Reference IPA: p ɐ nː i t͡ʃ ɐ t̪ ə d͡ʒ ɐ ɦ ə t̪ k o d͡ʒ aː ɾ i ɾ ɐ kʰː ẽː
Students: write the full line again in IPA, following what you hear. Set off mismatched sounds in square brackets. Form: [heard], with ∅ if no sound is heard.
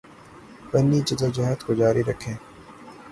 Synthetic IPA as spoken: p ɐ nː i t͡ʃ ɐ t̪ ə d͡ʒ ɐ ɦ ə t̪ k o d͡ʒ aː ɾ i ɾ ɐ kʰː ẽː